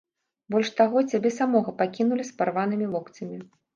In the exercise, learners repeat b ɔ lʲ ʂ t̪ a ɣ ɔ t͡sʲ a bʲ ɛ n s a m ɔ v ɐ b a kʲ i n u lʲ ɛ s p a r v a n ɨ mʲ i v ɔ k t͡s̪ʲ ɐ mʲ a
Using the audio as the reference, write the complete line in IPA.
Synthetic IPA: b ɔ lʲ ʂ t̪ a ɣ ɔ t͡sʲ a bʲ ɛ s a m ɔ ɣ ɐ p a kʲ i n u lʲ i s p a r v a n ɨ mʲ i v ɔ k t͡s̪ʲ ɐ mʲ i